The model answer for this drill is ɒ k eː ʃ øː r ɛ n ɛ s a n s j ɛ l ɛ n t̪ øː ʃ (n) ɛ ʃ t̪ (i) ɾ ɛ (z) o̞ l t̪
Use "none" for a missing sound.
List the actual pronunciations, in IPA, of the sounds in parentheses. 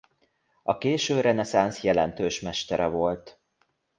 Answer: m, ɛ, v

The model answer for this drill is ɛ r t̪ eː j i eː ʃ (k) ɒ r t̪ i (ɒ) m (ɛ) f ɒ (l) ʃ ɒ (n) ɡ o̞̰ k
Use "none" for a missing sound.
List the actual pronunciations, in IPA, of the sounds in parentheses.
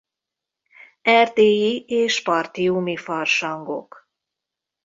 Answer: p, u, i, r, ŋ

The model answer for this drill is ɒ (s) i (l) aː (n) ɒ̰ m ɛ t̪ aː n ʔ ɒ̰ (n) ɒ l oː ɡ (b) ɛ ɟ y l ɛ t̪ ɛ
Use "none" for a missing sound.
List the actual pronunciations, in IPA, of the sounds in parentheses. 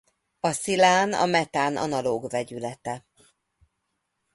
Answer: s, l, n, n, v

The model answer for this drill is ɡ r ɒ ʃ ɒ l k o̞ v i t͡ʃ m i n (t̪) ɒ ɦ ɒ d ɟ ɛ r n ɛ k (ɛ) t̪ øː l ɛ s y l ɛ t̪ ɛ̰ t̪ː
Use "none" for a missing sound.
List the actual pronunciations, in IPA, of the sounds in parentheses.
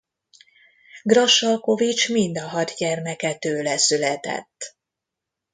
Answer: d̪, ɛ

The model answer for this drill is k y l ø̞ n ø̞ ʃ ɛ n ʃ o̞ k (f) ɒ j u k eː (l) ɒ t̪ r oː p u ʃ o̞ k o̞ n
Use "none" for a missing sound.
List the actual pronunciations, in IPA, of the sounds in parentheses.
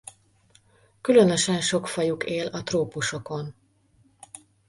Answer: f, l

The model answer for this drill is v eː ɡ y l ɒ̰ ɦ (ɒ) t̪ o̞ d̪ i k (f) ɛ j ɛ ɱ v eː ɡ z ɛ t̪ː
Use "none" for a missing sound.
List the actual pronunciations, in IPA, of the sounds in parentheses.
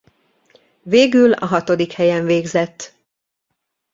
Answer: ɒ, h

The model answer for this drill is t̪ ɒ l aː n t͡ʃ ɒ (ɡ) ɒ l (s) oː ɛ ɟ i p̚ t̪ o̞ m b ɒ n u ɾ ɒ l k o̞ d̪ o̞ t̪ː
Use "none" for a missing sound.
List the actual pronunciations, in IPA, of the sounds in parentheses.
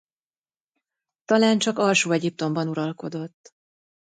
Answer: k, ʃ

